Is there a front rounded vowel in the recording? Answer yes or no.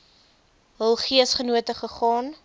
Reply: no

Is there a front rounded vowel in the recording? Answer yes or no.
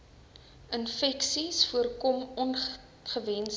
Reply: no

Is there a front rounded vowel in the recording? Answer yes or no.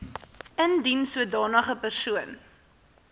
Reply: no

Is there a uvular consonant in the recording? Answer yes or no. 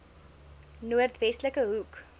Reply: no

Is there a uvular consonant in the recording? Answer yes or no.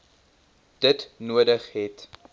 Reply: yes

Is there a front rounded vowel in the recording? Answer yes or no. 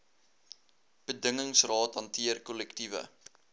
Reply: no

